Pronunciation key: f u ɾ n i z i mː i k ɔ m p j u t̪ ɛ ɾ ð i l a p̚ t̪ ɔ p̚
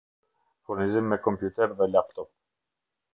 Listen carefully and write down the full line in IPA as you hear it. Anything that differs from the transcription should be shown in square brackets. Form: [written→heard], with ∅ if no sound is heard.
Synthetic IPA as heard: f u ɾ n i z i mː [i→ɛ] k ɔ m p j u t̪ ɛ ɾ ð [i→ɛ] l a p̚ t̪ ɔ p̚